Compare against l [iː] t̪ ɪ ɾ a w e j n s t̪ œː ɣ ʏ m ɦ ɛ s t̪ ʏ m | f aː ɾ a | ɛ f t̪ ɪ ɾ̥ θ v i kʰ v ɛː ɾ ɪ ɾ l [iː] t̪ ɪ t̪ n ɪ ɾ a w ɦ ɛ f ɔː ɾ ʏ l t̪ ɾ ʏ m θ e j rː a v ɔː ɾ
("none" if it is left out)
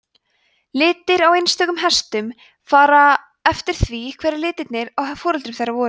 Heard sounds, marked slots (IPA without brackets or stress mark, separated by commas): ɪː, ɪː